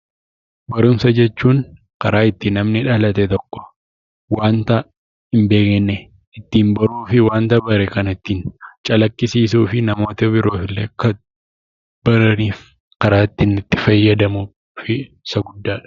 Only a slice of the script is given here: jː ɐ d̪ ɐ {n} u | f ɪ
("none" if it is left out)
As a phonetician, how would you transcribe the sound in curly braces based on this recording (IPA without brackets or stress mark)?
m